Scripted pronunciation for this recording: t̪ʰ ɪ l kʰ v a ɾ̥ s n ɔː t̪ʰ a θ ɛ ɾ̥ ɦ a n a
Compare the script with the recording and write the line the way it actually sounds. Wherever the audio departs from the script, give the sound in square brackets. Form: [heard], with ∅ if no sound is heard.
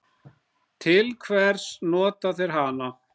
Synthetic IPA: t̪ʰ ɪ l kʰ v [ɛ] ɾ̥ s n ɔː [t̪] a θ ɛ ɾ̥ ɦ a n a

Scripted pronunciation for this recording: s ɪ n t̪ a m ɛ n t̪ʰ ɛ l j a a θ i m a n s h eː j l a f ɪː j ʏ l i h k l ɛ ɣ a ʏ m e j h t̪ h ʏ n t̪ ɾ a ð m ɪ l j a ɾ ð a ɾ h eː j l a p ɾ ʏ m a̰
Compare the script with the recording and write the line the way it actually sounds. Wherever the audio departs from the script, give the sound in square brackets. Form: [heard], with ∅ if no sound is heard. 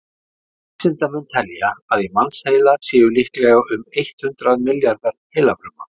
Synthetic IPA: s ɪ n t̪ a m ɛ n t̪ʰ ɛ l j a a [ð] i m a n s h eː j l a [s] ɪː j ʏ l i h k l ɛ ɣ a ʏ m e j h t̪ h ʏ n t̪ ɾ a ð m ɪ l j a ɾ ð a ɾ h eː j l a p ɾ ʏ m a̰

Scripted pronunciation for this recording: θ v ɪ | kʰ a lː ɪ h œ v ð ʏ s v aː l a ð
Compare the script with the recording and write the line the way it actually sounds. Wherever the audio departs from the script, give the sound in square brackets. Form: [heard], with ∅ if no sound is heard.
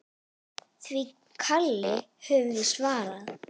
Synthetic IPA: θ v [i] | kʰ a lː ɪ h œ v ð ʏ s v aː [ɾ] a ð

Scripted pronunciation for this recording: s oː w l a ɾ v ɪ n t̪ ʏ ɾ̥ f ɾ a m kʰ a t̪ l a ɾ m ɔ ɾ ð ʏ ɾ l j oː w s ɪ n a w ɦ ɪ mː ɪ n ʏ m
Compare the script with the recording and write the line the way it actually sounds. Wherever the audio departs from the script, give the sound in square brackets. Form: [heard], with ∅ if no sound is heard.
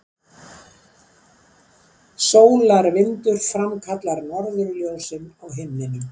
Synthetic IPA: s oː w l a ɾ v ɪ n t̪ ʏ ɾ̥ f ɾ a m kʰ a t̪ l a ɾ [n] ɔ ɾ ð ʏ ɾ l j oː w s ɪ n a w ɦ ɪ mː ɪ n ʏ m

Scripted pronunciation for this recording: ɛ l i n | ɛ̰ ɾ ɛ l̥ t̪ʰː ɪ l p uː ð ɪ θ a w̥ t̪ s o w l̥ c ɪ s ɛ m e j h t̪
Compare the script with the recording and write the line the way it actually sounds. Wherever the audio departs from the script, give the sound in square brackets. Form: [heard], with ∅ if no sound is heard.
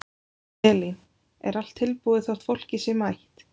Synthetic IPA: ɛ l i n | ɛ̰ ɾ [a] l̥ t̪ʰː ɪ l p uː ð ɪ θ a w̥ t̪ [f] o w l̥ c ɪ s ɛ m [a] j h t̪

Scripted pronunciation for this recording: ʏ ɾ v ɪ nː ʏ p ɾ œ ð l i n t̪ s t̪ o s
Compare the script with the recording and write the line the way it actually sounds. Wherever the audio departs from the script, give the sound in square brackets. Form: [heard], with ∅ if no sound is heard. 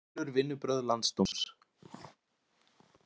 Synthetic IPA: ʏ ɾ v ɪ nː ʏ p ɾ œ ð l [a] n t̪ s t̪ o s

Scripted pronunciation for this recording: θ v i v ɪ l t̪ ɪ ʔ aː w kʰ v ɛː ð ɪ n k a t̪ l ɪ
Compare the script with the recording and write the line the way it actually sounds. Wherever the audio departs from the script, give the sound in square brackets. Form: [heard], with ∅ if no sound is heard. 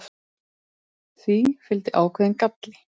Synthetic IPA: θ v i [f] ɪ l t̪ ɪ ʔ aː w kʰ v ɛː ð ɪ n k a t̪ l ɪ

